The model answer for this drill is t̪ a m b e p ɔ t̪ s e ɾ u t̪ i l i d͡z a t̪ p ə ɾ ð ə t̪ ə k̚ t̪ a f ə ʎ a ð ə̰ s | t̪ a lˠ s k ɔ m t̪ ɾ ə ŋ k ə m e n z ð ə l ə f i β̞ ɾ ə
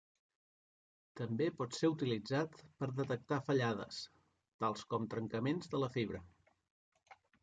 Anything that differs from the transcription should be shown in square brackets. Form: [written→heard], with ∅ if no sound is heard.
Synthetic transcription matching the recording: t̪ [a→ə] m b e p ɔ t̪ s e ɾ u t̪ i l i d͡z a t̪ p ə ɾ ð ə t̪ ə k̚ t̪ a f ə ʎ a ð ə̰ s | t̪ a lˠ s k ɔ m t̪ ɾ ə ŋ k ə m e n z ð ə l ə f i β̞ ɾ ə